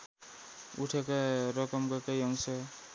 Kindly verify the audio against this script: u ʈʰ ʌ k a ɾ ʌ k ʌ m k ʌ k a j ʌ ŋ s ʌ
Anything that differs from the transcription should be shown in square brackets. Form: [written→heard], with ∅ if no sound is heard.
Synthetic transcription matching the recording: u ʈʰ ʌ k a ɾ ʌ k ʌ m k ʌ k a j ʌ ŋ s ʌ